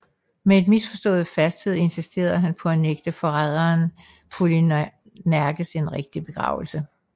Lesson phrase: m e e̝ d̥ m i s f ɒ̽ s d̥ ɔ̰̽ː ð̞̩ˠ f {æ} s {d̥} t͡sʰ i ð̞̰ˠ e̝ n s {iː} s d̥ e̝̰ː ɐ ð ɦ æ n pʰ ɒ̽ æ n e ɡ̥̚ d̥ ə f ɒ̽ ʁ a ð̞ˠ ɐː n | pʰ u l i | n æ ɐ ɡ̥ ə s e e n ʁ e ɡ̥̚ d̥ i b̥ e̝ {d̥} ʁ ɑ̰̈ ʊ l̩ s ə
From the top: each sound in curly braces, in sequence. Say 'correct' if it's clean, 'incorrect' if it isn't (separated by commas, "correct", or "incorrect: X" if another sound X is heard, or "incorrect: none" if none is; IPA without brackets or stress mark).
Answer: correct, correct, incorrect: i, incorrect: ɡ̥